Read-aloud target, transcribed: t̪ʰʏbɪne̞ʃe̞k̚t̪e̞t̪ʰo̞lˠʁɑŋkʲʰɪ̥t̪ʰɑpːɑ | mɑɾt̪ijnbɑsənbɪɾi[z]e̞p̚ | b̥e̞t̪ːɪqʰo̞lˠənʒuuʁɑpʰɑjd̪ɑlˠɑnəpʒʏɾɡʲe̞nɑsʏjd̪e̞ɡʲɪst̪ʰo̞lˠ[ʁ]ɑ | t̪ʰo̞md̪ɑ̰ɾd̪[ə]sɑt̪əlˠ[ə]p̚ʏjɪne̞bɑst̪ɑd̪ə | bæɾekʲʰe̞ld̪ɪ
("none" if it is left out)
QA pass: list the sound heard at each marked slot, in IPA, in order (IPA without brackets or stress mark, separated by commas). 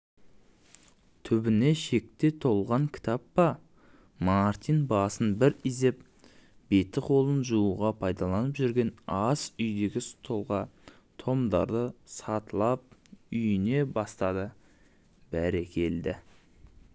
z, ʁ, ə, ɑ